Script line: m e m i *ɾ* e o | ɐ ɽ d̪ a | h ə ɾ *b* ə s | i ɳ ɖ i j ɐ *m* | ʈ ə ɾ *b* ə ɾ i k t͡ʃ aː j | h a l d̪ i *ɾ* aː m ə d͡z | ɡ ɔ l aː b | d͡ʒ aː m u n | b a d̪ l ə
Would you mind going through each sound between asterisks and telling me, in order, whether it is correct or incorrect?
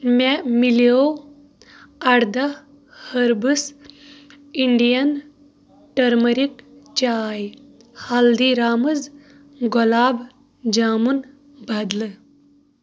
incorrect, correct, incorrect, incorrect, correct

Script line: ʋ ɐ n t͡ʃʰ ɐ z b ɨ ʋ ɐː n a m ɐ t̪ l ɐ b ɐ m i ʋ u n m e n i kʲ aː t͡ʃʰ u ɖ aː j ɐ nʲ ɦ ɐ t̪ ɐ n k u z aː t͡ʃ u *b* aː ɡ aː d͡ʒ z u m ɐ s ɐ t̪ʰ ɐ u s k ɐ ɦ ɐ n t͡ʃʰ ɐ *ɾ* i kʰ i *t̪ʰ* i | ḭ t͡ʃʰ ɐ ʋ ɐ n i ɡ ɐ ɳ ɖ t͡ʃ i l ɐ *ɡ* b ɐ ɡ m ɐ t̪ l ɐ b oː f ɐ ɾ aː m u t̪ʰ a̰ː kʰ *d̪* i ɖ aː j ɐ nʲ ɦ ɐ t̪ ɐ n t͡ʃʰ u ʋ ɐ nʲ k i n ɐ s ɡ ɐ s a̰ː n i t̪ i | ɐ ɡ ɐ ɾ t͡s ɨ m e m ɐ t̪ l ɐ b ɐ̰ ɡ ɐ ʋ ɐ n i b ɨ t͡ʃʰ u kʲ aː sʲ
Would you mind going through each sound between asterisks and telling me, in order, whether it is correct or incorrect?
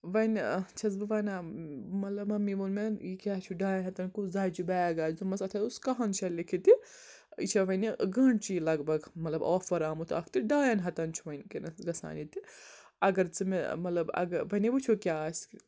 correct, incorrect, incorrect, correct, incorrect

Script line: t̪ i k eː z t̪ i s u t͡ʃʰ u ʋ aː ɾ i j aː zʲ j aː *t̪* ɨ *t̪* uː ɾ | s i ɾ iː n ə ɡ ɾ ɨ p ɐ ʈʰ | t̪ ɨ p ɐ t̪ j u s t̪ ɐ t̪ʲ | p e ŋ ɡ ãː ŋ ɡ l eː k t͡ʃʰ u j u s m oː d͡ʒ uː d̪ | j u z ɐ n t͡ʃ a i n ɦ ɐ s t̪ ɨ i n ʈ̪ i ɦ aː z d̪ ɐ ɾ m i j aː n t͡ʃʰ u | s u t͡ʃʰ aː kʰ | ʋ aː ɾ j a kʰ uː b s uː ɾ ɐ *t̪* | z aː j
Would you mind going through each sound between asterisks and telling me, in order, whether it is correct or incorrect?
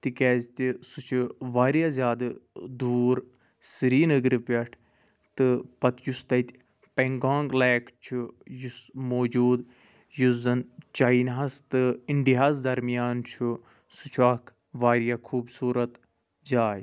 incorrect, incorrect, correct

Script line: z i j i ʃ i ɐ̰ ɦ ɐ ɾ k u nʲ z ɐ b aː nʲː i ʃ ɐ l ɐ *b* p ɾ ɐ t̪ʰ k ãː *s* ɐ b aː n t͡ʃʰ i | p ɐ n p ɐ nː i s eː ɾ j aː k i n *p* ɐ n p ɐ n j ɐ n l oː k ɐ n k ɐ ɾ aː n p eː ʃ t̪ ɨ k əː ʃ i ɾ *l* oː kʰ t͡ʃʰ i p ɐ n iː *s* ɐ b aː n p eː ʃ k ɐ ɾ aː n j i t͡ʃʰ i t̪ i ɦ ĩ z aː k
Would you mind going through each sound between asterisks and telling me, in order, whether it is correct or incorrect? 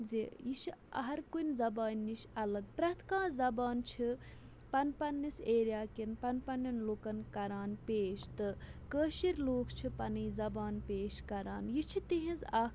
incorrect, incorrect, correct, correct, incorrect

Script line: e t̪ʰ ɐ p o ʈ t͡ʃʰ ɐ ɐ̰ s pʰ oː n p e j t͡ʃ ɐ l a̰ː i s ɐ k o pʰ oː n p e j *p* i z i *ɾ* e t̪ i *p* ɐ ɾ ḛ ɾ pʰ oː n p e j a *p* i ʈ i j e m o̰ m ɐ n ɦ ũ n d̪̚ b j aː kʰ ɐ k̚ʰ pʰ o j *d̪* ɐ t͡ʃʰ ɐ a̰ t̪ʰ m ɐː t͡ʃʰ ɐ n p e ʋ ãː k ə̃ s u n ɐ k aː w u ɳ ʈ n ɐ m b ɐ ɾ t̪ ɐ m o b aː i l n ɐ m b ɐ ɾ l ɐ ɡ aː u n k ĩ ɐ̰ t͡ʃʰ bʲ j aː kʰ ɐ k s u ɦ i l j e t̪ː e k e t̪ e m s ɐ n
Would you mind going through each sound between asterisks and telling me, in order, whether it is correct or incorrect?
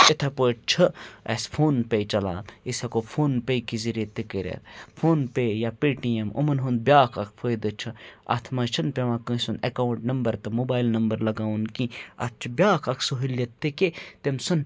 incorrect, correct, incorrect, correct, correct

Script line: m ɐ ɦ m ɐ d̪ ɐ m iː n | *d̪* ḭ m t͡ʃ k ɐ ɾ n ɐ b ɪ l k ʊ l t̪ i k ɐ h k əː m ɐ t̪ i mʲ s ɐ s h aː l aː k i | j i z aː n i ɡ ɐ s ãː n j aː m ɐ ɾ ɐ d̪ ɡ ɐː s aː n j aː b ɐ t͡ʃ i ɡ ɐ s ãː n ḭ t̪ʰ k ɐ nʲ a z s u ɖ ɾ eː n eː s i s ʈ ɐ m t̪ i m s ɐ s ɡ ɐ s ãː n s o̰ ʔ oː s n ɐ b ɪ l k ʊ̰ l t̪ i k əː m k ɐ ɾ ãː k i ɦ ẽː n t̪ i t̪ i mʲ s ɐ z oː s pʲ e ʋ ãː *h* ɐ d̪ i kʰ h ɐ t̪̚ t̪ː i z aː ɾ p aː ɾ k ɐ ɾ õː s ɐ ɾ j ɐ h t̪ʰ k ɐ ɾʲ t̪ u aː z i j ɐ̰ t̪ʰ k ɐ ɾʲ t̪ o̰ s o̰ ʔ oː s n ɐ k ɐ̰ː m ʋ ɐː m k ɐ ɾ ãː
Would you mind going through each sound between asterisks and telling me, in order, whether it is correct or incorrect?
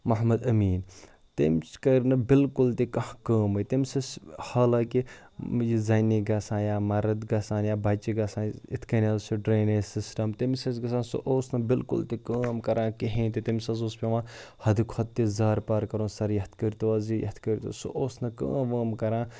incorrect, correct

